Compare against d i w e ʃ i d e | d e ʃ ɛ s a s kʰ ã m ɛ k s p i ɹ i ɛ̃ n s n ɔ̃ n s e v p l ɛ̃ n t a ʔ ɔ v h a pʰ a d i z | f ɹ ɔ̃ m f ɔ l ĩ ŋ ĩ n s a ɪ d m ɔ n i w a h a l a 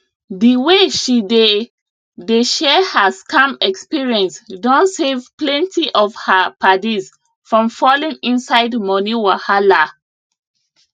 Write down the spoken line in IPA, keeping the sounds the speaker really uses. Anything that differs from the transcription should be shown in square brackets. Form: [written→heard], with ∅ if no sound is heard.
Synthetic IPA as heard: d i w e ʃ i d e | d e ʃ ɛ [s→h] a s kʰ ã m ɛ k s p i ɹ i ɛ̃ n s [n→d] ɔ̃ n s e v p l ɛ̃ n t [a→i] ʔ ɔ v h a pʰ a d i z | f ɹ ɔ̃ m f ɔ l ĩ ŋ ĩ n s a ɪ d m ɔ n i w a h a l a

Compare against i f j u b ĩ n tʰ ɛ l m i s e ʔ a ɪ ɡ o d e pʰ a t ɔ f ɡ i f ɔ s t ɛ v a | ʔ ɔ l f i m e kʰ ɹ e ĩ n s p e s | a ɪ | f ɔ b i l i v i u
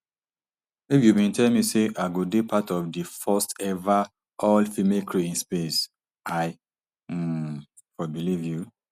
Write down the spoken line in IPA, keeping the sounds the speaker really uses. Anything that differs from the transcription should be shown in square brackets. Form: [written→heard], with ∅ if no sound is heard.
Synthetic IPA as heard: i f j u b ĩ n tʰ ɛ l m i s e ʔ a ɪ ɡ o d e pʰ a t ɔ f [ɡ→d] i f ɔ s t ɛ v a | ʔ ɔ l f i m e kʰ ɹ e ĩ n s p e s | a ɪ | f ɔ b i l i v [i→j] u

